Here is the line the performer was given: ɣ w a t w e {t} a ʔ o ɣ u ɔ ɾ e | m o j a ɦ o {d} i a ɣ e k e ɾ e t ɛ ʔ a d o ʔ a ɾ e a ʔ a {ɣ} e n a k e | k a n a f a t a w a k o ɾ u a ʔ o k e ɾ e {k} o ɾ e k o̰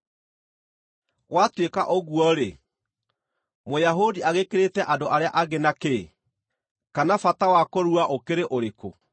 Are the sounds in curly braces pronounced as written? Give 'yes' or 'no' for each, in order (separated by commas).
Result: no, yes, yes, no